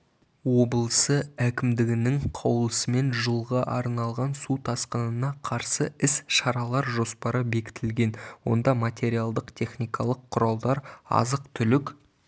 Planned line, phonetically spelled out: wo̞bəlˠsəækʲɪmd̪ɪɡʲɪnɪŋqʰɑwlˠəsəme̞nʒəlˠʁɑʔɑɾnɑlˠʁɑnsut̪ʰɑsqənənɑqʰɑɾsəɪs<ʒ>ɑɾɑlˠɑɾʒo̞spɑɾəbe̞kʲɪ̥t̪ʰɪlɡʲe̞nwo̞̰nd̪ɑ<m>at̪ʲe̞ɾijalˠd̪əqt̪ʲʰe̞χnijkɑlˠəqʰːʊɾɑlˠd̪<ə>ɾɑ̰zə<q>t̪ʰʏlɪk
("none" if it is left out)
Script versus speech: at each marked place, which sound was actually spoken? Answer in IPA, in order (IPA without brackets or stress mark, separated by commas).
ʃ, m, ɑ, q